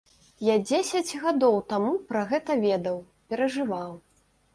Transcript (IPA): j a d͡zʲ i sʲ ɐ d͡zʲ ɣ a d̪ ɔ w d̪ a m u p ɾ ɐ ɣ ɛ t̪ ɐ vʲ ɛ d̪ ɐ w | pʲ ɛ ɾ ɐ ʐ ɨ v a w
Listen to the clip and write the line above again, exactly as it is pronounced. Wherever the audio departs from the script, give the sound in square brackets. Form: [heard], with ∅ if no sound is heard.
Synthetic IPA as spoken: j a d͡zʲ [e] sʲ ɐ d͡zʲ ɣ a d̪ ɔ w [t̪] a m u p ɾ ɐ ɣ ɛ t̪ ɐ vʲ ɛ d̪ ɐ w | pʲ ɛ ɾ ɐ ʐ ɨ v a w